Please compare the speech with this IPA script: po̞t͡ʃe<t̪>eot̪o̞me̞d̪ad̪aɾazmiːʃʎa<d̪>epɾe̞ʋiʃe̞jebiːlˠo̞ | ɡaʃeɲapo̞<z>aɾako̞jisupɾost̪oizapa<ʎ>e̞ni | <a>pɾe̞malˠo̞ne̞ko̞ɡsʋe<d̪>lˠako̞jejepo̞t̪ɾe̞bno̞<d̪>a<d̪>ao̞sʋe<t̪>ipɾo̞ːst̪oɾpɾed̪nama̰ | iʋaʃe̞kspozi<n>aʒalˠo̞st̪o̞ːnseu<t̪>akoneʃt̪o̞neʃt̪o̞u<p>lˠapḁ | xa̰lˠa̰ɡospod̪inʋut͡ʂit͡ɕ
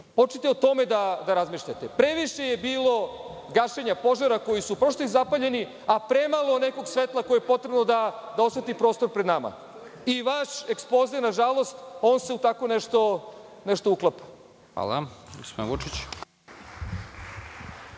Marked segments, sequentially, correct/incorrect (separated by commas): correct, incorrect, incorrect, correct, correct, incorrect, correct, correct, correct, correct, correct, incorrect